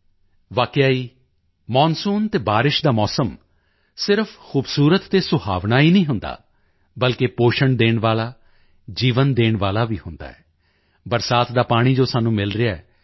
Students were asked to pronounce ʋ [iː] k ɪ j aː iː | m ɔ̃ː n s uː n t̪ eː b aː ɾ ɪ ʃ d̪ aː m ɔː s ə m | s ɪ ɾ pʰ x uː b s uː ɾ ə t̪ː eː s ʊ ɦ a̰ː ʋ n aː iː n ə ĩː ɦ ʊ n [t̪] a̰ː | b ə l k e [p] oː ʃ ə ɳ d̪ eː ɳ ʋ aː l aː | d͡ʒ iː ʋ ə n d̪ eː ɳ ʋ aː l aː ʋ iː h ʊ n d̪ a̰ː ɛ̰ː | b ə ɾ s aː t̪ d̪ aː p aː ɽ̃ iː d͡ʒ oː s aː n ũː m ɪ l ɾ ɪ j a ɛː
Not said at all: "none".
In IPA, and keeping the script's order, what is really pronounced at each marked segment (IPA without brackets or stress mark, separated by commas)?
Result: aː, d̪, p